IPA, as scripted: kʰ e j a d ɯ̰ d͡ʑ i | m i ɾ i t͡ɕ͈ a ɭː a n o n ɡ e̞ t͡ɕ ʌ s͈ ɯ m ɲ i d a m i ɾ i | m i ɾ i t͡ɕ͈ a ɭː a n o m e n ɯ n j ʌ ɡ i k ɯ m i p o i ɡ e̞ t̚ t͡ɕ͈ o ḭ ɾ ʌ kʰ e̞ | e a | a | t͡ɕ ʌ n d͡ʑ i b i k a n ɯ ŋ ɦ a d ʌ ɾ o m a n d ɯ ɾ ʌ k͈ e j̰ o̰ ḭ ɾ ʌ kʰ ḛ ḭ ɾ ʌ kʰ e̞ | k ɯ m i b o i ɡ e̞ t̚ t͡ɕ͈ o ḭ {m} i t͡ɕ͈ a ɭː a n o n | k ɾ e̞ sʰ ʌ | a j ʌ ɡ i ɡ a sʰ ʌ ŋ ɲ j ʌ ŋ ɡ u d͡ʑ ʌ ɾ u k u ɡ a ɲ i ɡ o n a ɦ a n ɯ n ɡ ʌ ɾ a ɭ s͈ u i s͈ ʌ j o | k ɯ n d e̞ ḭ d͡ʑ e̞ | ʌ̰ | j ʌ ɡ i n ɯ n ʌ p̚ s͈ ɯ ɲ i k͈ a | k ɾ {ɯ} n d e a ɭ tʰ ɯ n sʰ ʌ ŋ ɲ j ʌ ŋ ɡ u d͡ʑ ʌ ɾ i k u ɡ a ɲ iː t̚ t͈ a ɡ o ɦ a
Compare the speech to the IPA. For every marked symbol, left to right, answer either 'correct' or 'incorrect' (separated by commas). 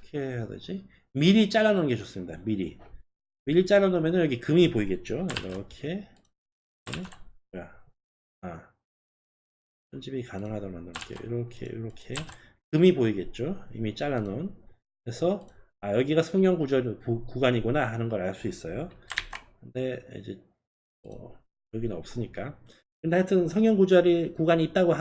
correct, correct